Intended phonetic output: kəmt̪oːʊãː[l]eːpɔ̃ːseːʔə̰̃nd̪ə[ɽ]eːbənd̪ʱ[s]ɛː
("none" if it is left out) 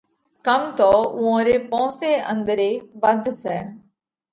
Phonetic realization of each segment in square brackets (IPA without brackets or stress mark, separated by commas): ɾ, ɾ, s